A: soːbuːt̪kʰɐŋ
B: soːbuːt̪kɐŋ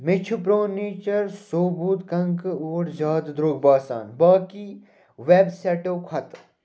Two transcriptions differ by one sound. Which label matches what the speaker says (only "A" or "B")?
B